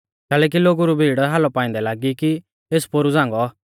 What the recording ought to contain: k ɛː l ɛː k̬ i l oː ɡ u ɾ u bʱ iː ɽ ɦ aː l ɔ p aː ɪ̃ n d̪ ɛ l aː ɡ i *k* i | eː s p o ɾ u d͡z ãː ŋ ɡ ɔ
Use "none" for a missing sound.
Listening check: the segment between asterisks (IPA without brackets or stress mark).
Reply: k